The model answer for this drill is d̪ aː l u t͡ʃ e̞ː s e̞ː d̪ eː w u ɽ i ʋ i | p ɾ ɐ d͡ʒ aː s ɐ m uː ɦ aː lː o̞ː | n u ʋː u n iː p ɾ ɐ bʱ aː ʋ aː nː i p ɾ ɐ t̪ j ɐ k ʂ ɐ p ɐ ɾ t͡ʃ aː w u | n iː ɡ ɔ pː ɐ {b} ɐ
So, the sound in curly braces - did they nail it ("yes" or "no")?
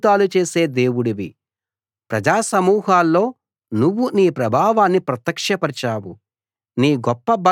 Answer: yes